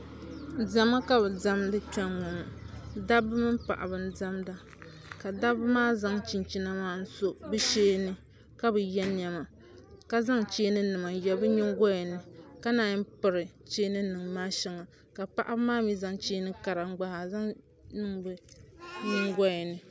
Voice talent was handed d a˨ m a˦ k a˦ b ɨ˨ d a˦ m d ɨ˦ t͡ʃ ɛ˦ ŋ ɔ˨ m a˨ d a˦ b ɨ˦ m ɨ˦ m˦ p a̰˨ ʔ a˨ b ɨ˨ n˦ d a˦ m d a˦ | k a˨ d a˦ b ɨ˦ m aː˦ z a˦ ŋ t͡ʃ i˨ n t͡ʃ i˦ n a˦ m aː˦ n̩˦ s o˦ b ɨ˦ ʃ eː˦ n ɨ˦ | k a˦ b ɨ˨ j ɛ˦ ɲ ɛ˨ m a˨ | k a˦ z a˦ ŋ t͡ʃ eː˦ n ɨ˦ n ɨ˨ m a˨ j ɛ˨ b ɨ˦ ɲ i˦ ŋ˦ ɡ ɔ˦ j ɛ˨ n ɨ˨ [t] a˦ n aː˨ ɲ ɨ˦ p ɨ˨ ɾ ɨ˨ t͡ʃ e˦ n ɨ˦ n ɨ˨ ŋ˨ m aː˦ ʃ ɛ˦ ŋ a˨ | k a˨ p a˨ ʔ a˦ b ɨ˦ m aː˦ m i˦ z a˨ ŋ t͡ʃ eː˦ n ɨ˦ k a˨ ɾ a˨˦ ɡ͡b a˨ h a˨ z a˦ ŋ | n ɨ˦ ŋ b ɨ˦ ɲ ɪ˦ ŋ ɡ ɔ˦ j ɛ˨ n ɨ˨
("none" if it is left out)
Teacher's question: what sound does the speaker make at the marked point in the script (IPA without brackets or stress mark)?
k